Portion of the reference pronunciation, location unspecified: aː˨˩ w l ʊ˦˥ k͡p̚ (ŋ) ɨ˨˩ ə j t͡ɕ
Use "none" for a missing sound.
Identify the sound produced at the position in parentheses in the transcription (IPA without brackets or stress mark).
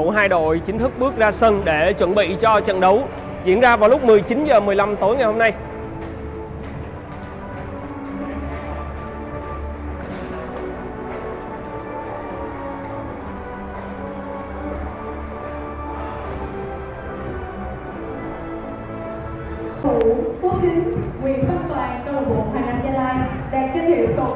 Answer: m